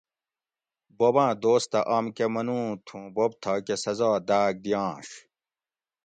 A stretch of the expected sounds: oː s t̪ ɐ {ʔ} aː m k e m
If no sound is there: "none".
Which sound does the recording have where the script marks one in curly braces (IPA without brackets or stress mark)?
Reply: ʔ